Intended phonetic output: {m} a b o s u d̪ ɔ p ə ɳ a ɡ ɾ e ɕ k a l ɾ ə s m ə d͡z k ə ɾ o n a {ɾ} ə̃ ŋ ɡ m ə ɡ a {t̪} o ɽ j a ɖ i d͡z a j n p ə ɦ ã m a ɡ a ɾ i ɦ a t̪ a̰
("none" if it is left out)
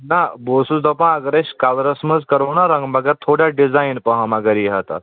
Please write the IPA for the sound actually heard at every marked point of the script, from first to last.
n, ɾ, t̪ʰ

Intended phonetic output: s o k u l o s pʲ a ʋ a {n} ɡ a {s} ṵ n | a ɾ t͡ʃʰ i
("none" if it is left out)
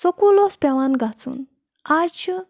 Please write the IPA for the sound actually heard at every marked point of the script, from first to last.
n, t͡s

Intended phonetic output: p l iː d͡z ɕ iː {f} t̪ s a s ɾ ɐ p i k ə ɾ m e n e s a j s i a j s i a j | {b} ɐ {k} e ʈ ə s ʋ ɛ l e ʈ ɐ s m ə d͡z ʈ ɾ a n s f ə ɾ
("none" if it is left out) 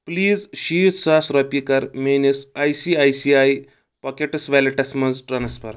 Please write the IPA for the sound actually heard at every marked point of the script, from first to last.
none, p, k

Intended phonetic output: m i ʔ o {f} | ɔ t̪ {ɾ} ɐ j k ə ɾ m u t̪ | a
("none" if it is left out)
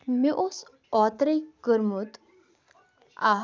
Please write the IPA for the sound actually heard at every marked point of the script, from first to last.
s, ɾ

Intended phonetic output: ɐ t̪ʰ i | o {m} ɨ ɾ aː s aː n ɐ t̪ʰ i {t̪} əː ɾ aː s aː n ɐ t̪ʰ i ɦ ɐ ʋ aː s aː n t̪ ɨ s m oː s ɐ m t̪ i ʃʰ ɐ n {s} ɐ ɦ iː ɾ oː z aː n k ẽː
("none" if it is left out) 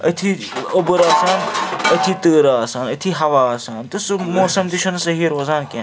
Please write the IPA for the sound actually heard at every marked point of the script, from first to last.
b, t̪, s

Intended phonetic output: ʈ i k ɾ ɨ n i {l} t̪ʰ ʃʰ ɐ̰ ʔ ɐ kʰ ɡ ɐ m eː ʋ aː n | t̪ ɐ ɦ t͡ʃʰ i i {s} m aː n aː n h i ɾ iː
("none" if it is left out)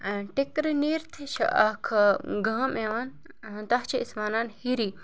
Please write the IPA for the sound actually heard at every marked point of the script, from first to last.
ɾ, s

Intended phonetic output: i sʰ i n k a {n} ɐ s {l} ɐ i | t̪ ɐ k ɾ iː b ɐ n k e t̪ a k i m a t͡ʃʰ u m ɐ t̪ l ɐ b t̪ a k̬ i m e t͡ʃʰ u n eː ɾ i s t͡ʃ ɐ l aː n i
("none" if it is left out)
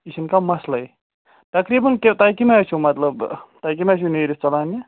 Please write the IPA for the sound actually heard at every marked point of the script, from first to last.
m, l

